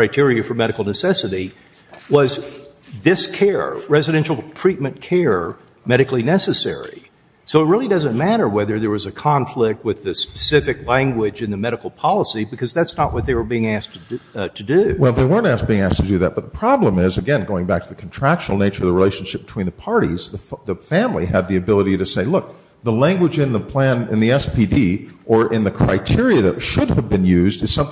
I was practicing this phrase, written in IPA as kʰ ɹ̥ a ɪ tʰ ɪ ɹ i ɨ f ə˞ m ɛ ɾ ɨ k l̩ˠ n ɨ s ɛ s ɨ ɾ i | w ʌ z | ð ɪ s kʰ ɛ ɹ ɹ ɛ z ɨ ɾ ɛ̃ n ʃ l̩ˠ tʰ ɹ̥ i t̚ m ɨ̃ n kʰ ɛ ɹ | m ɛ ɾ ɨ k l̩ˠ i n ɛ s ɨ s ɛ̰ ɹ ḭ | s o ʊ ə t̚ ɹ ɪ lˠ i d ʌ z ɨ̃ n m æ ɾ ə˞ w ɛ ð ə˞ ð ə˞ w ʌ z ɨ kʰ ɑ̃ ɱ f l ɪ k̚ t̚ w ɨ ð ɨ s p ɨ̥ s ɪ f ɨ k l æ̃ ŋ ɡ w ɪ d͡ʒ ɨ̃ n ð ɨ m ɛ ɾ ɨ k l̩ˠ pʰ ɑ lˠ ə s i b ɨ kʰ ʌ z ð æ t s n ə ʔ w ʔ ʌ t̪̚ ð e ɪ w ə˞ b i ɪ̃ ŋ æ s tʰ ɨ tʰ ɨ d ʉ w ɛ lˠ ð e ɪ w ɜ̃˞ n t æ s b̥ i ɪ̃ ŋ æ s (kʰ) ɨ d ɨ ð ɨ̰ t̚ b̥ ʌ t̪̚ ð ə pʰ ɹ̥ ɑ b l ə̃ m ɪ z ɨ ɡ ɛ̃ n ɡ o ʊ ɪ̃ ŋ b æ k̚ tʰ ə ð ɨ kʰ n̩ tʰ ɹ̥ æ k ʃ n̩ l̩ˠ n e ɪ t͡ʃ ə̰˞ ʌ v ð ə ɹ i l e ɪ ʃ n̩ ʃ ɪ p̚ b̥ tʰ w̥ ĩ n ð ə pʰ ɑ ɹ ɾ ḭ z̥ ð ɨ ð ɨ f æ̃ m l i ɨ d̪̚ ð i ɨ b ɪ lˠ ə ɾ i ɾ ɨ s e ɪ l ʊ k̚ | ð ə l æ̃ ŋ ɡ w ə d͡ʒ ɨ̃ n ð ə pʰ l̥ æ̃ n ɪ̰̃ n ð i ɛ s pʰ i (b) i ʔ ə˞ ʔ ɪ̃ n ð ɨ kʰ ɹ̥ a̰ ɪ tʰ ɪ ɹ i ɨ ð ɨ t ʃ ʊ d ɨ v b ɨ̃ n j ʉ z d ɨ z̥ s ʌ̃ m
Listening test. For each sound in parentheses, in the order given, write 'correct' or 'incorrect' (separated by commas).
incorrect, incorrect